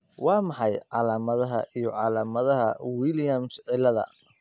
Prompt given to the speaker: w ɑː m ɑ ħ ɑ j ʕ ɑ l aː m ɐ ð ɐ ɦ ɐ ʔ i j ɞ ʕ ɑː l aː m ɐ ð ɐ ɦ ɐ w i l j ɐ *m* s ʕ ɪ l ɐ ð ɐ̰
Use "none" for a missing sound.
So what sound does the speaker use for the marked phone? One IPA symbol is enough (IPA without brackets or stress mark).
m